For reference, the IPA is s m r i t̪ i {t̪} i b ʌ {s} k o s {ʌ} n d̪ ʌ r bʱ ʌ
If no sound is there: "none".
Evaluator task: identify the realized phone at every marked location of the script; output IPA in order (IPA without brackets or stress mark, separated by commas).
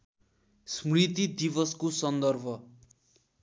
d̪, s, ʌ